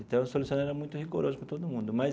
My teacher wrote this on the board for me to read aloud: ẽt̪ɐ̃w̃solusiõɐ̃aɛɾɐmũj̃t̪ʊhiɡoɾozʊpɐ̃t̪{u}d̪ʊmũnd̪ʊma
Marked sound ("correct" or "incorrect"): incorrect